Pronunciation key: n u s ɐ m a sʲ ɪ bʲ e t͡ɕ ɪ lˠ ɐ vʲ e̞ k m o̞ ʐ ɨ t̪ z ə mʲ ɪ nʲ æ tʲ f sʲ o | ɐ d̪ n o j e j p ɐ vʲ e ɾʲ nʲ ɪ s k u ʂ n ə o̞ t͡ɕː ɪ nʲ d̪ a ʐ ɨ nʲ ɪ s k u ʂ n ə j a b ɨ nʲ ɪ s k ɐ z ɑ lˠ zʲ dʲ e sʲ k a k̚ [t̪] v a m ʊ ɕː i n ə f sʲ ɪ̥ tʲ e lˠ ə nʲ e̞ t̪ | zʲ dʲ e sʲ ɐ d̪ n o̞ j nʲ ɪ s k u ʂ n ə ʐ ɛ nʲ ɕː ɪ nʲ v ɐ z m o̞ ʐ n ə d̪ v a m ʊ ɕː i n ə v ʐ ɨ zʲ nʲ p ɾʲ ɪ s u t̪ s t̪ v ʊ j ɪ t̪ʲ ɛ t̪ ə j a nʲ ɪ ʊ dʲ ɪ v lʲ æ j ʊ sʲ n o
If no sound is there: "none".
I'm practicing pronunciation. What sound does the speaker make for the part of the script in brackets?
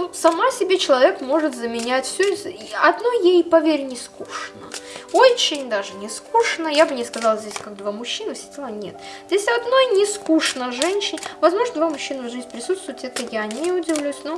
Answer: d̪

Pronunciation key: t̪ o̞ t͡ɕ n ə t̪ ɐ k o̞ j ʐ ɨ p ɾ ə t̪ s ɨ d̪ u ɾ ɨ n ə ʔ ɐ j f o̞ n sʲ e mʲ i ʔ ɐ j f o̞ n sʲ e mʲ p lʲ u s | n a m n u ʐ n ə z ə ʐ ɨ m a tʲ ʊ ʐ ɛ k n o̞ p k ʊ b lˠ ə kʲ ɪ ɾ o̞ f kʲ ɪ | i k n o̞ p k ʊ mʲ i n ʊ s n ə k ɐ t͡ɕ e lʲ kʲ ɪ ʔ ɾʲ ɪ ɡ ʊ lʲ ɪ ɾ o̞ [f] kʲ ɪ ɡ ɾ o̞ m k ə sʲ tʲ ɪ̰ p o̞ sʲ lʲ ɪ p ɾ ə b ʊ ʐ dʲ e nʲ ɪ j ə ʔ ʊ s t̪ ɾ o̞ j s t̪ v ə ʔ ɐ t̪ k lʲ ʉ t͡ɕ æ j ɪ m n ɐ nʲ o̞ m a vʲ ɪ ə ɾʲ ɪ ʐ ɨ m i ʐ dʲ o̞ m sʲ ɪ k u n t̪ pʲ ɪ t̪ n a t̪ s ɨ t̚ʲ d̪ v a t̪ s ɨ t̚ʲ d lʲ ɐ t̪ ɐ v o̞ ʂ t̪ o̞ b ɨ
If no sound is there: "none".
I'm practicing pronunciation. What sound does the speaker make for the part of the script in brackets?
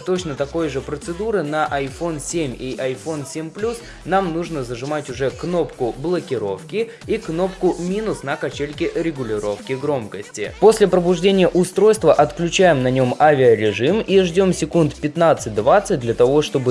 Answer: f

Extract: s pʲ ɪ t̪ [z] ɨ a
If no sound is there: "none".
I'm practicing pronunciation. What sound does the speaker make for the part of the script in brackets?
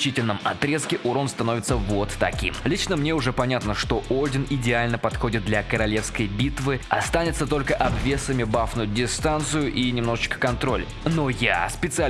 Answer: s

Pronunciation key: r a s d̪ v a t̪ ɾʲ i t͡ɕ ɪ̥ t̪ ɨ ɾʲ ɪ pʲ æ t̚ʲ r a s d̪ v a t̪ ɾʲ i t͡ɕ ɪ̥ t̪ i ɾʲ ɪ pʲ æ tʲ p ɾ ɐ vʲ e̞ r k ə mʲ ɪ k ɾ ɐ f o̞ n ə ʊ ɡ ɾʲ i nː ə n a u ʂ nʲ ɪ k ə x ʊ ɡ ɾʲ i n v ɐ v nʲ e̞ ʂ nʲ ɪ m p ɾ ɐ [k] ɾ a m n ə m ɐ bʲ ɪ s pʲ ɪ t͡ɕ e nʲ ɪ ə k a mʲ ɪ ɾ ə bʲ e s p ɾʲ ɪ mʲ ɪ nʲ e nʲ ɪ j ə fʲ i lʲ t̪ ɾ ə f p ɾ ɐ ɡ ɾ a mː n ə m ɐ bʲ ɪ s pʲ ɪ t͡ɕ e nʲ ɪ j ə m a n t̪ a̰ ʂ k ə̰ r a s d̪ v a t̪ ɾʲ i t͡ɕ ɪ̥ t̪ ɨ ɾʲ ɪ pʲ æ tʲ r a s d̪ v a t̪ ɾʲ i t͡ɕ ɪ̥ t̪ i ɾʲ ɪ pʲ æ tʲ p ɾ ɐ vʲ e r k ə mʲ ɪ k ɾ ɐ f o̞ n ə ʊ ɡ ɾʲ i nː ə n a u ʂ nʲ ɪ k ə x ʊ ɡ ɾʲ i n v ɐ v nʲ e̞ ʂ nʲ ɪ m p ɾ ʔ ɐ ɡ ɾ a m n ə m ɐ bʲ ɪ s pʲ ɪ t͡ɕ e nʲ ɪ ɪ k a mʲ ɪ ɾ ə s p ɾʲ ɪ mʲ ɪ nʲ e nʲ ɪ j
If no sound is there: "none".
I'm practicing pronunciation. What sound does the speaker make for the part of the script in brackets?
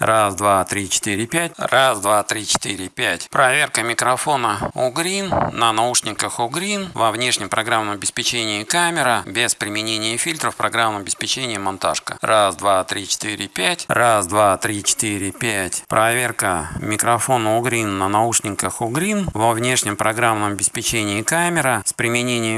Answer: ɡ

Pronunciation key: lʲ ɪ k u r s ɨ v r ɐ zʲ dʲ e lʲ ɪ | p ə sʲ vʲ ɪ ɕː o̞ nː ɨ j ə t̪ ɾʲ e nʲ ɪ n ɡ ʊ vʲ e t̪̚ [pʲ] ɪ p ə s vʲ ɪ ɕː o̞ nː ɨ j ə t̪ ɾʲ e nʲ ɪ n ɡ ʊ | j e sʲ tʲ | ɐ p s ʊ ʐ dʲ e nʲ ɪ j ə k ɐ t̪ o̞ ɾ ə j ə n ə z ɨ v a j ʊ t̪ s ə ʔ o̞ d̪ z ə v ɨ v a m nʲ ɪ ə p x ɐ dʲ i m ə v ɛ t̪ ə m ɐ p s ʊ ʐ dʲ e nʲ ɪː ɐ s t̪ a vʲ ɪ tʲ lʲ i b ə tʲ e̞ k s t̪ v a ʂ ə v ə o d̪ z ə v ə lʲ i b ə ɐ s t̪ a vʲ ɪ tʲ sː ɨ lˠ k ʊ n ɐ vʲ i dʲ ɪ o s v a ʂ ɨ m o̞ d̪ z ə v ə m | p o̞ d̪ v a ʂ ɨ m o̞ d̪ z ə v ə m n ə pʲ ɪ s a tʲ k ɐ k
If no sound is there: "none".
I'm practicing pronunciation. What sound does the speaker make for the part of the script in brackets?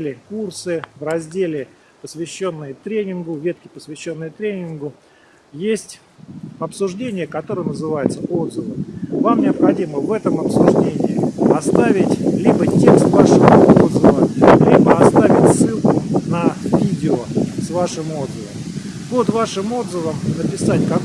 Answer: kʲ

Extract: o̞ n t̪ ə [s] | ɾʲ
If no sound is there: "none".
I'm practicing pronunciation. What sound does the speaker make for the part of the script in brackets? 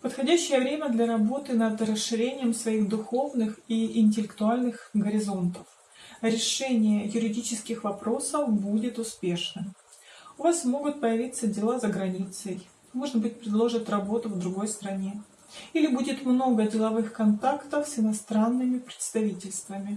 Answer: f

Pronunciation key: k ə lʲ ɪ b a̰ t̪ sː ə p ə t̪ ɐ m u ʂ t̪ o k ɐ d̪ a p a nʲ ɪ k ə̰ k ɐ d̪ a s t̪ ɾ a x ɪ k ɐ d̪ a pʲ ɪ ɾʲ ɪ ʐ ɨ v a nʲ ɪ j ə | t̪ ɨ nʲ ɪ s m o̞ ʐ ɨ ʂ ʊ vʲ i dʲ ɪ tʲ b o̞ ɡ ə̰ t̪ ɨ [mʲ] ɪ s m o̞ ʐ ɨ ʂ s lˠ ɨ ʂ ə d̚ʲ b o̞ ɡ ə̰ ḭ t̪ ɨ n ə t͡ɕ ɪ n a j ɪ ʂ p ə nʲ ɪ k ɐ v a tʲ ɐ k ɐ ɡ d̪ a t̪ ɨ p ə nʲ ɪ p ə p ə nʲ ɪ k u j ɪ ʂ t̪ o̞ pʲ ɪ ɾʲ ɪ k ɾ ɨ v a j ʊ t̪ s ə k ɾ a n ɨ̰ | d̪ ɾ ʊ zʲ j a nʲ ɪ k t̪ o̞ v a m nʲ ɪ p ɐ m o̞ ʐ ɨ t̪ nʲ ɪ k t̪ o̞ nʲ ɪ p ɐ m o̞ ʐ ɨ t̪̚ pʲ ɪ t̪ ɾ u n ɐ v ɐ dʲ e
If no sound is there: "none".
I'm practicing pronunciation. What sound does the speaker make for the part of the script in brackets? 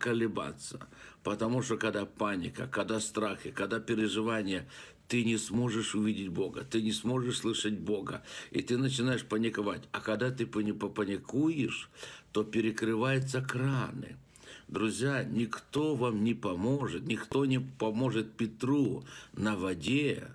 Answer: nʲ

